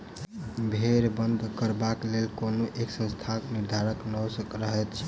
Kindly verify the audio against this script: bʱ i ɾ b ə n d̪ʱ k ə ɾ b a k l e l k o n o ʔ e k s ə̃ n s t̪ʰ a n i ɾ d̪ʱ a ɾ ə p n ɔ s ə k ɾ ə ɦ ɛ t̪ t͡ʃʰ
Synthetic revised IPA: bʱ e ɾ b ə n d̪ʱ k ə ɾ b a k l e l k o n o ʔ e k s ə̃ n s t̪ʰ a n i ɾ d̪ʱ a ɾ ə k n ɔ s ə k ɾ ə ɦ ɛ t̪ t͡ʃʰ